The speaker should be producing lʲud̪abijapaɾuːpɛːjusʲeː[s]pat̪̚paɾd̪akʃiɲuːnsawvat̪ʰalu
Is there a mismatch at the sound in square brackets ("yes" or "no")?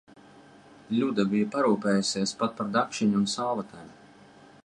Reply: no